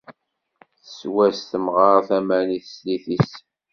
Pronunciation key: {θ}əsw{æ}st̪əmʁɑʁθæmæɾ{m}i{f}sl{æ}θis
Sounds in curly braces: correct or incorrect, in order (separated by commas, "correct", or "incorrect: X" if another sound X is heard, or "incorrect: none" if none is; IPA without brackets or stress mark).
correct, correct, incorrect: n, incorrect: θ, incorrect: i